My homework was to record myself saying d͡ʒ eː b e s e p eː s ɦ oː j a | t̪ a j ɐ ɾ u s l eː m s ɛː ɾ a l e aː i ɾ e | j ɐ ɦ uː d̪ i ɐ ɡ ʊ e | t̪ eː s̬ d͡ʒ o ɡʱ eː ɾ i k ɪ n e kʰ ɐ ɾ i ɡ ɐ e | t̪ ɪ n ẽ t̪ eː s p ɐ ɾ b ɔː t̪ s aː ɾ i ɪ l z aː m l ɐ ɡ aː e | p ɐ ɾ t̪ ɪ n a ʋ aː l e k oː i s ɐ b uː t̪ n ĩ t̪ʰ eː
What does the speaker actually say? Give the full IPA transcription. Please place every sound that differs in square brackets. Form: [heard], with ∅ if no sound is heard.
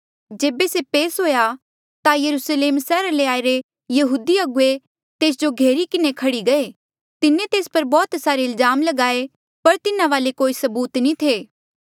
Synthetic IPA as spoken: d͡ʒ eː b e s e p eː s ɦ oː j a | t̪ a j ɐ ɾ u s l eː m s ɛː ɾ a l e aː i ɾ e | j ɐ ɦ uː d̪ i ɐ ɡ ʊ e | t̪ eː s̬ d͡ʒ o ɡʱ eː ɾ i k ɪ n e kʰ ɐ [ɽ] i ɡ ɐ e | t̪ ɪ n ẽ t̪ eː s p ɐ ɾ b ɔː t̪ s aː ɾ [e] ɪ l z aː m l ɐ ɡ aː e | p ɐ ɾ t̪ ɪ n a ʋ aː l e k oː i s ɐ b uː t̪ n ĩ t̪ʰ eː